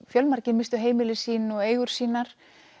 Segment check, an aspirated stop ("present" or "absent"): absent